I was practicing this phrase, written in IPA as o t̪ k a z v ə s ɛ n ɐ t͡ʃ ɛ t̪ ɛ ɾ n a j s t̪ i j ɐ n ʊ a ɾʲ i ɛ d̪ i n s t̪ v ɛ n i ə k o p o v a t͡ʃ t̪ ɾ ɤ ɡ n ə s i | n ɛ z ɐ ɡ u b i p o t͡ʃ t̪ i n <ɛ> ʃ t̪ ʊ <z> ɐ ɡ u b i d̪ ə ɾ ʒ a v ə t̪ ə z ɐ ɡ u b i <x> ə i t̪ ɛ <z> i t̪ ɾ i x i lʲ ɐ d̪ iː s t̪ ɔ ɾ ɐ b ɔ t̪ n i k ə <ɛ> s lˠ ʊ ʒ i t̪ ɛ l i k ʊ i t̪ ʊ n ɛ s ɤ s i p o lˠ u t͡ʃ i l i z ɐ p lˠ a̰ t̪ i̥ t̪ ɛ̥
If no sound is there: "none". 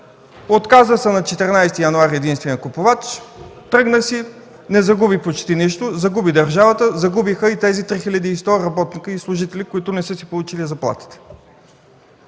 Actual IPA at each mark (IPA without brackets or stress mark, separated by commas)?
i, z, x, z, i